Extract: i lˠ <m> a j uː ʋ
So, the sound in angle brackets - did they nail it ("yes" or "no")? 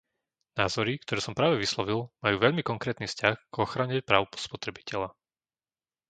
yes